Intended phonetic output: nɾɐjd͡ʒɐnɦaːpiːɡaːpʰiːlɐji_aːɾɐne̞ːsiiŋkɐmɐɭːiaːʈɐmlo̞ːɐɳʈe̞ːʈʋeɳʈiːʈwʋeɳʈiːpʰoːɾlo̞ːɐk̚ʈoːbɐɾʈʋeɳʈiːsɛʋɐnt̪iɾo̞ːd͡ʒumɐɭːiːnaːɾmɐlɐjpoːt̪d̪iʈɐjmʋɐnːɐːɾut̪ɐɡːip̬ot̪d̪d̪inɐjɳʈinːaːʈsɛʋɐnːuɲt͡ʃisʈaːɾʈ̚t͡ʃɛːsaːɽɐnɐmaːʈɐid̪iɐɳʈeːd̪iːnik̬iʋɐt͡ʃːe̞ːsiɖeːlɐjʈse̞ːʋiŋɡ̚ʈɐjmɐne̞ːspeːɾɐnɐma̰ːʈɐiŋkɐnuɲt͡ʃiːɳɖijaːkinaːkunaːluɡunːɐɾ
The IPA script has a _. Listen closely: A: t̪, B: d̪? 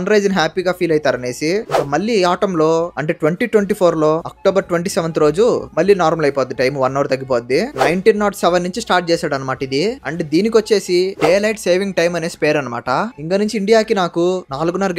A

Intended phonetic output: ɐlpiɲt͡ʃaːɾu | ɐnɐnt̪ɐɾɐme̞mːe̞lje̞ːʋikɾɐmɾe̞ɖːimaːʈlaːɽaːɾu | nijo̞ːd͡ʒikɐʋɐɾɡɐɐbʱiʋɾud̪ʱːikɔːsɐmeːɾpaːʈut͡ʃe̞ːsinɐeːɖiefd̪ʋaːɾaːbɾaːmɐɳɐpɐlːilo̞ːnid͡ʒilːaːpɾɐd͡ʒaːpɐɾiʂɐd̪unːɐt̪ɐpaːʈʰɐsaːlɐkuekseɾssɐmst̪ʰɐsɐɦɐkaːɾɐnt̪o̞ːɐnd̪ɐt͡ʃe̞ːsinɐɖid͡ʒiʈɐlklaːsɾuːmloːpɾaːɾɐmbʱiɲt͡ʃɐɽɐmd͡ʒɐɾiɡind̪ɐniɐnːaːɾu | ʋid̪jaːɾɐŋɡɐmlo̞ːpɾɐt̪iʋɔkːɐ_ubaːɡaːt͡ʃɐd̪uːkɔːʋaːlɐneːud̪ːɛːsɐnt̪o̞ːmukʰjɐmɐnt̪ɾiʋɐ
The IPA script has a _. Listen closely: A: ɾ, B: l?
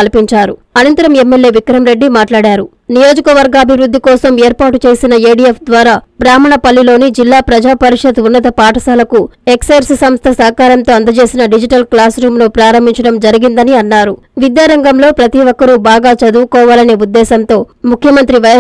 A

